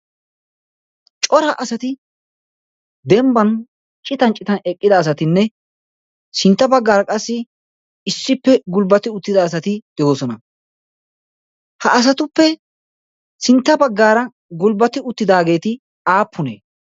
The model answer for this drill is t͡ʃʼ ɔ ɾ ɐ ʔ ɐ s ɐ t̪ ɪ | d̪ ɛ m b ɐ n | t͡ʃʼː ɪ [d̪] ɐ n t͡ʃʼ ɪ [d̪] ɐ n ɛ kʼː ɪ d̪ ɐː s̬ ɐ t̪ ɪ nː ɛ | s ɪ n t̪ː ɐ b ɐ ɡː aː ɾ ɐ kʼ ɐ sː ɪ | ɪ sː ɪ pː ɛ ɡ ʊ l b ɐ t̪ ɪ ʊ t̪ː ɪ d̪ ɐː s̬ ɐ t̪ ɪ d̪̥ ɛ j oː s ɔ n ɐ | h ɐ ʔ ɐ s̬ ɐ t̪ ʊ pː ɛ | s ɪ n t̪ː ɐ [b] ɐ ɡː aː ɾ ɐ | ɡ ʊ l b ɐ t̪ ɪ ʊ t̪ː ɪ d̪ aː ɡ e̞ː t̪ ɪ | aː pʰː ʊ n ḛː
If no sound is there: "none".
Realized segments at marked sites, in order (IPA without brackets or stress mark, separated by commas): t̪, t̪, b